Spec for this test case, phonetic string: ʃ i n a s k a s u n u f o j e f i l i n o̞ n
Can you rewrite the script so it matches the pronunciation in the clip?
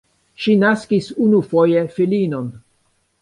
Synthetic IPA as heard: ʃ i n a s k i s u n u f o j e f i l i n o̞ n